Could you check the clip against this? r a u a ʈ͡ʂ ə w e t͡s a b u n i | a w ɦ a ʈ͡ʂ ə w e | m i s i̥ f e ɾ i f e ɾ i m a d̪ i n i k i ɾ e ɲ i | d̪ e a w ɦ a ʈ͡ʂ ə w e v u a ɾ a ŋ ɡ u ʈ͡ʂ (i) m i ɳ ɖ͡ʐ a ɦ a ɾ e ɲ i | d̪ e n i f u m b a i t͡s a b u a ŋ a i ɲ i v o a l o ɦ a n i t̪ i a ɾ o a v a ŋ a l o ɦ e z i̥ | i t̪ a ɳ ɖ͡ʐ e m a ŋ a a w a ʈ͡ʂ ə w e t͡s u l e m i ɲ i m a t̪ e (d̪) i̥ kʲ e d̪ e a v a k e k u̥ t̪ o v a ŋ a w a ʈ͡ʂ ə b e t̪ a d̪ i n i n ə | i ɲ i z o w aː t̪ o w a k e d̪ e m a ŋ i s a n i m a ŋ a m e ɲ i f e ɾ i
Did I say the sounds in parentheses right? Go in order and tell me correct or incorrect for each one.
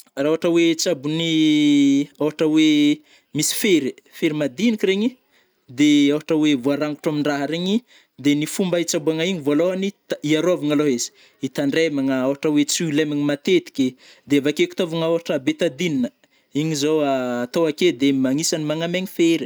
incorrect: a, incorrect: t̪

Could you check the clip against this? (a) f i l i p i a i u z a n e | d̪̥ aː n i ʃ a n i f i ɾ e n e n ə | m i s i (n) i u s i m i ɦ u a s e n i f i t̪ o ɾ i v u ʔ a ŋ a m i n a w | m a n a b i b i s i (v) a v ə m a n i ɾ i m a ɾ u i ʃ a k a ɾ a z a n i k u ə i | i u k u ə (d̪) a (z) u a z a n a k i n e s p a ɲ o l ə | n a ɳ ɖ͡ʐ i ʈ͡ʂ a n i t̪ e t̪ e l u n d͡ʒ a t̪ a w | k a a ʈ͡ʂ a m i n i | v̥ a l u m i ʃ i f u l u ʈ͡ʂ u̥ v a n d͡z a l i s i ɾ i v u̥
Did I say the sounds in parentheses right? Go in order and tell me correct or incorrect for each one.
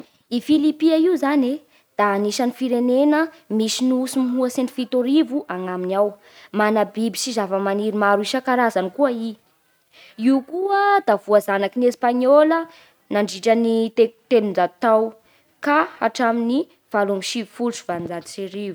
incorrect: i, correct, incorrect: z, correct, incorrect: v

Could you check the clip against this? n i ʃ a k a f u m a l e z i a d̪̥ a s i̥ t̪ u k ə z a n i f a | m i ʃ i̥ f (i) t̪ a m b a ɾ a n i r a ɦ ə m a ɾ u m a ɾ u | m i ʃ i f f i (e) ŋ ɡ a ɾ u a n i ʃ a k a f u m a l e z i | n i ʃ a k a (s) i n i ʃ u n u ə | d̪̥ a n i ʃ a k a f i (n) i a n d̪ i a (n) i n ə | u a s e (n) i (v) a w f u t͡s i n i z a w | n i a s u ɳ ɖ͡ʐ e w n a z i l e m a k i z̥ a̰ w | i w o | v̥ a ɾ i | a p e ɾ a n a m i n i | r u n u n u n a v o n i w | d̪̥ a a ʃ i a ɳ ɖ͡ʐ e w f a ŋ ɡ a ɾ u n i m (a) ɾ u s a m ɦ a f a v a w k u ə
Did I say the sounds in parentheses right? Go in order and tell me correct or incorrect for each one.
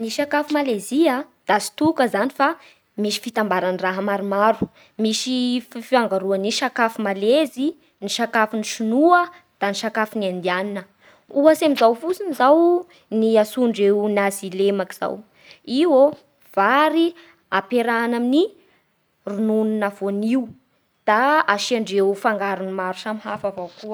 correct, incorrect: a, incorrect: f, correct, correct, incorrect: m, incorrect: z, correct

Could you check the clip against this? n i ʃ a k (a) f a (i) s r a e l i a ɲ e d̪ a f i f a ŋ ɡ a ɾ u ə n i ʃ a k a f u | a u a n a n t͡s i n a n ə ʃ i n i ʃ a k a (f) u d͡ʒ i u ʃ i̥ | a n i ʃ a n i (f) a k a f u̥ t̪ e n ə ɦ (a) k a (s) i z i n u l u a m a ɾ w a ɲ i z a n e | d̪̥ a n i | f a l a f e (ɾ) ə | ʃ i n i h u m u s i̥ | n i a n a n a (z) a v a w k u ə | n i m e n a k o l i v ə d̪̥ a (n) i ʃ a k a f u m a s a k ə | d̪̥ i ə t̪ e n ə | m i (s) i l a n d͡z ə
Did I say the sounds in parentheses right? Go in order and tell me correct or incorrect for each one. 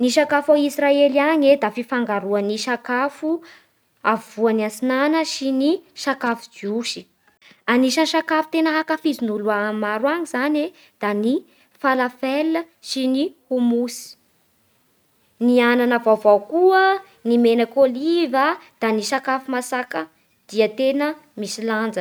correct, correct, correct, incorrect: ʃ, correct, incorrect: f, incorrect: l, incorrect: v, correct, correct

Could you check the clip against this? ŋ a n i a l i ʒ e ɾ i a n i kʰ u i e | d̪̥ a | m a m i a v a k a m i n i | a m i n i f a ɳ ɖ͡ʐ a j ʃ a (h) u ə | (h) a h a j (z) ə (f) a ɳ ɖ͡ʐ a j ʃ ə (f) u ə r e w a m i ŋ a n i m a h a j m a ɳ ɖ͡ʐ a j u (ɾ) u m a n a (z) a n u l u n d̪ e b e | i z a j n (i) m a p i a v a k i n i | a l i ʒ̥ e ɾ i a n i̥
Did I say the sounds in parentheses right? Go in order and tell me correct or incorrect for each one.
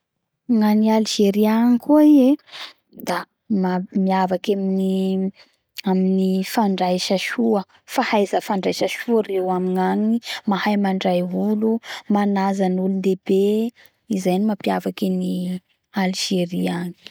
incorrect: ʃ, incorrect: f, correct, correct, incorrect: ʃ, incorrect: l, correct, correct

